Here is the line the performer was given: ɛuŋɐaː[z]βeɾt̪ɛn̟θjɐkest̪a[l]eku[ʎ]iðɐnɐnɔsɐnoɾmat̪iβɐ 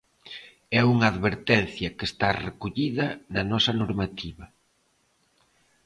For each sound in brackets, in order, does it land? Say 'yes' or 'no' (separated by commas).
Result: no, no, yes